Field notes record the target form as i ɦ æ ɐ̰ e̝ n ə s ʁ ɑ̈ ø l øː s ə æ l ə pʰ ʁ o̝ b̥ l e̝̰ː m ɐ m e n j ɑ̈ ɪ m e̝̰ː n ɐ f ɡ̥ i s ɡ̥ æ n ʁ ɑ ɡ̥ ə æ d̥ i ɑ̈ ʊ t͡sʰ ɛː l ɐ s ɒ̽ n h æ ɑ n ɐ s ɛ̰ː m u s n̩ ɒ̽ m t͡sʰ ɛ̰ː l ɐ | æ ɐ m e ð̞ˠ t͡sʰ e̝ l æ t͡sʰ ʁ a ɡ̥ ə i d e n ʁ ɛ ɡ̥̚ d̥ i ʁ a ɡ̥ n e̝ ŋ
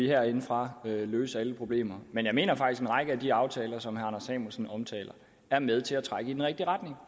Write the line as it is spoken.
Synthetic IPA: i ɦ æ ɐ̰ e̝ n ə f ʁ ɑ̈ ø l øː s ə æ l ə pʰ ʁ o̝ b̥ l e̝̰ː m ɐ m e n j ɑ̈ ɪ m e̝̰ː n ɐ f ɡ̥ i s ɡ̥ e n ʁ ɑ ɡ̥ ə æ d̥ i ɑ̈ ʊ t͡sʰ ɛː l ɐ s ɒ̽ m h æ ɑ n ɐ s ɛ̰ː m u s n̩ ɒ̽ m t͡sʰ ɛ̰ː l ɐ | æ ɐ m e ð̞ˠ t͡sʰ e̝ l æ t͡sʰ ʁ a ɡ̥ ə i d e n ʁ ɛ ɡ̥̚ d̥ i ʁ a d̥ n e̝ ŋ